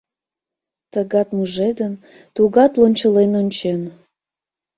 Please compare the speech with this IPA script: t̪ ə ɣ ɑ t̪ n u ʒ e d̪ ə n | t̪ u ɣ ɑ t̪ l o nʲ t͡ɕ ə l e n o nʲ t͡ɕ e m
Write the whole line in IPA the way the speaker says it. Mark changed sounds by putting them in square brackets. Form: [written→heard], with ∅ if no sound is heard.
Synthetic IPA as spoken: t̪ ə ɣ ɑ t̪ [n→m] u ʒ e d̪ ə n | t̪ u ɣ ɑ t̪ l o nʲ t͡ɕ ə l e n o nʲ t͡ɕ e [m→n]